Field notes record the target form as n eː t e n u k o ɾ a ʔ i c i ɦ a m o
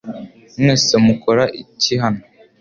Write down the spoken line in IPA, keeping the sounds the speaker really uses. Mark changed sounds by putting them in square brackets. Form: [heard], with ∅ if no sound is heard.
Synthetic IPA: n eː [s] e [m] u k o ɾ a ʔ i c i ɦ a [n] o